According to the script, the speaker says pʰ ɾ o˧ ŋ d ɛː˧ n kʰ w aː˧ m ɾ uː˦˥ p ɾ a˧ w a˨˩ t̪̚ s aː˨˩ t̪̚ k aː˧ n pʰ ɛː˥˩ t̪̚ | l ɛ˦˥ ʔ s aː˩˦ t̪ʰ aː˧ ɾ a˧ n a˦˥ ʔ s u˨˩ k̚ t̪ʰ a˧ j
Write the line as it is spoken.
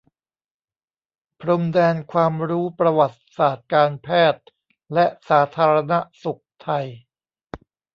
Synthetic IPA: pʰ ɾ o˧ m d ɛː˧ n kʰ w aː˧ m ɾ uː˦˥ p ɾ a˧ w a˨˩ t̪̚ s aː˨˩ t̪̚ k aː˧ n pʰ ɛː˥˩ t̪̚ | l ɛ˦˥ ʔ s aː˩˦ t̪ʰ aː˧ ɾ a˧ n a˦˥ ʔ s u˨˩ k̚ t̪ʰ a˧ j